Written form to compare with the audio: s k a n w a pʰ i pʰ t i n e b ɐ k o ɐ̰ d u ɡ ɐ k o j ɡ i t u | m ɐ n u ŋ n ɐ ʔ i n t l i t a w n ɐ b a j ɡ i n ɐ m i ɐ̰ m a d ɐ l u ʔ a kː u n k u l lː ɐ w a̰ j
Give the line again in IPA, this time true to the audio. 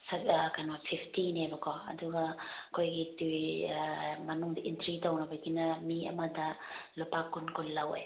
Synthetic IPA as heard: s k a n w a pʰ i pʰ t i n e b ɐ k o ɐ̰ d u ɡ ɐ k o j ɡ i t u | m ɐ n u ŋ d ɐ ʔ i n t ɾ i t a w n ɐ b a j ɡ i n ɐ m i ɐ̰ m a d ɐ l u p a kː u n k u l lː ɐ w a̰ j